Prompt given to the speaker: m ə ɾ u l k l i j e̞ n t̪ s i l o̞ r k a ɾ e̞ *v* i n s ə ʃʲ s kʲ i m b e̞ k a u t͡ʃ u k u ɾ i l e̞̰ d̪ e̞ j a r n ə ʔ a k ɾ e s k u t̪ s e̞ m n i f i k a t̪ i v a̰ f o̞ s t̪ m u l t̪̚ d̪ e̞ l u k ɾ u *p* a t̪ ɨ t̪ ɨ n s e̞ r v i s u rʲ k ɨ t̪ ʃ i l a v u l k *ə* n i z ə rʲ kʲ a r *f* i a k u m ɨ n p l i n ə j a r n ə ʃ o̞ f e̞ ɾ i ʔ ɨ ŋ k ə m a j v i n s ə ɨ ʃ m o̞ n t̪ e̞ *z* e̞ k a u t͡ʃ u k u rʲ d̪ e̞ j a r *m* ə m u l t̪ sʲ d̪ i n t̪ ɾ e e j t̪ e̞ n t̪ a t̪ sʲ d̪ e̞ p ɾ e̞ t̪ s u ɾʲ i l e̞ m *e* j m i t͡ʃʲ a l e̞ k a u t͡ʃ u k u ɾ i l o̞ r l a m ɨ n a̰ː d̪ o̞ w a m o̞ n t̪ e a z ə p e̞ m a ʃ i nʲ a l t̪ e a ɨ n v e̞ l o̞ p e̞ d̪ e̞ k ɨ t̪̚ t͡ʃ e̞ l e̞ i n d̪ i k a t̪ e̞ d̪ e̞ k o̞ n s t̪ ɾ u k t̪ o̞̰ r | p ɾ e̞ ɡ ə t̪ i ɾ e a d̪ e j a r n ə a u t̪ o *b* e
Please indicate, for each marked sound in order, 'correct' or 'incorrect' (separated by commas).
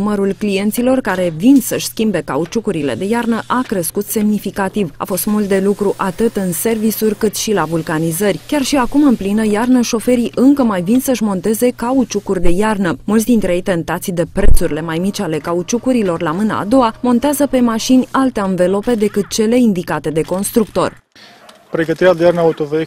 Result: correct, incorrect, incorrect, incorrect, correct, incorrect, incorrect, incorrect